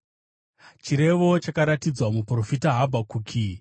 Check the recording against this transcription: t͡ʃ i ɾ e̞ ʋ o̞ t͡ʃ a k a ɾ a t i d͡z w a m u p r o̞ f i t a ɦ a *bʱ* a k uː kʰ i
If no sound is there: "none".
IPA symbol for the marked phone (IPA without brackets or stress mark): bʱ